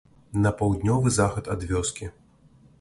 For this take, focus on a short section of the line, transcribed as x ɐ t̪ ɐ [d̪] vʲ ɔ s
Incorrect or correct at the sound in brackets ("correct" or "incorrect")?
correct